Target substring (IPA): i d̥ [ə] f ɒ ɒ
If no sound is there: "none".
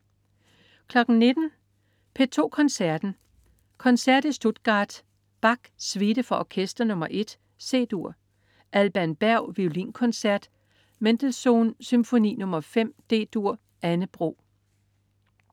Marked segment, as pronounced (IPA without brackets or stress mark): ə